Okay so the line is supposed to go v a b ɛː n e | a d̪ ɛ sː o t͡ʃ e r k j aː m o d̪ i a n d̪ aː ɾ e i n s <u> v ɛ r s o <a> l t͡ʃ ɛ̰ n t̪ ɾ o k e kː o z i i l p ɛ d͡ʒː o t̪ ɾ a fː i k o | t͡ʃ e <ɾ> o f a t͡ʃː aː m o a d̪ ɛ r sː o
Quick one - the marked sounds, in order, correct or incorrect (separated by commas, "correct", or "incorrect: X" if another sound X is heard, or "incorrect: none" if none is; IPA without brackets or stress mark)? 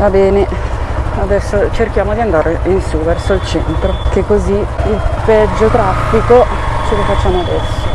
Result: correct, incorrect: i, incorrect: l